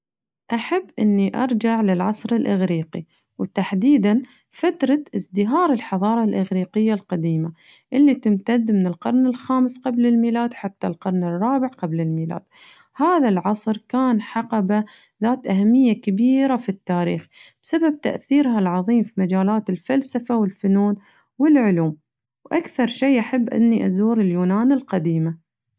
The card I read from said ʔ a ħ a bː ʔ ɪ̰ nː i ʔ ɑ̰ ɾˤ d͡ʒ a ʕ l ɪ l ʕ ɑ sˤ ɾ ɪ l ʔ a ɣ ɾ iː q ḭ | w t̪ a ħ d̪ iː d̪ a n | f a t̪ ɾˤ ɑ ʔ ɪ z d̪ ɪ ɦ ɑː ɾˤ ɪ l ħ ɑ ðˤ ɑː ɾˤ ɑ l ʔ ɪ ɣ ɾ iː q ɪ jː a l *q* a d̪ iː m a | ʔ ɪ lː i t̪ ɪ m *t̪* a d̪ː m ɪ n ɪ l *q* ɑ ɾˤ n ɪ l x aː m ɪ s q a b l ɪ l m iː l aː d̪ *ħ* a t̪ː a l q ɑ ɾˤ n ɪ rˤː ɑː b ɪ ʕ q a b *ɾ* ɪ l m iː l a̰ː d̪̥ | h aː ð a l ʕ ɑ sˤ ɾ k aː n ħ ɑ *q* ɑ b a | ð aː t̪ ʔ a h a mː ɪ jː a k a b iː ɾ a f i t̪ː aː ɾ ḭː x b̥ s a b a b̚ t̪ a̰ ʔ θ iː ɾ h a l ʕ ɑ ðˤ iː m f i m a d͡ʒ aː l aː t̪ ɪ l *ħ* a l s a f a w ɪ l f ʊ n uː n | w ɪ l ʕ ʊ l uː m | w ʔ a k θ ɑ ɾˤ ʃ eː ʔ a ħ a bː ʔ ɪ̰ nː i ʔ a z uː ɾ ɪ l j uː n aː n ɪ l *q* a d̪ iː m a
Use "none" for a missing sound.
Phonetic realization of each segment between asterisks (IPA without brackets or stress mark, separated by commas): q, t̪, q, ħ, l, q, f, q